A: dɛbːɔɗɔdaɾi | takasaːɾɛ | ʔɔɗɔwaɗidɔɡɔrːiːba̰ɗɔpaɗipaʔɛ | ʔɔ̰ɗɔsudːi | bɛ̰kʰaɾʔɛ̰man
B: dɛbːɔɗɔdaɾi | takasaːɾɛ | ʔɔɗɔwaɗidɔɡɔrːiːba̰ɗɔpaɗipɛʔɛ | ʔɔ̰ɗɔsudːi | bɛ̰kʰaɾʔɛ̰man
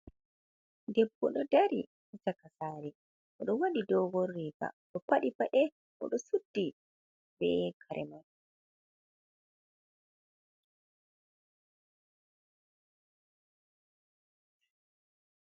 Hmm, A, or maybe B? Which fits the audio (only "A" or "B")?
A